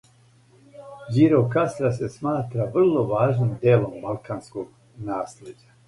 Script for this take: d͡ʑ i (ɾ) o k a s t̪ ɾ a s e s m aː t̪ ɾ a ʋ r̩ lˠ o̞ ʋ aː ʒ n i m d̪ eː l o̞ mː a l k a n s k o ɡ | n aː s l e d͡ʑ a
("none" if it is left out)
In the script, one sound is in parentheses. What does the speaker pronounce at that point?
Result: ɾ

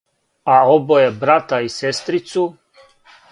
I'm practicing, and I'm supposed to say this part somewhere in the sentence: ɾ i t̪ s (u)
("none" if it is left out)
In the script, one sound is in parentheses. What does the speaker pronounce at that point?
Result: u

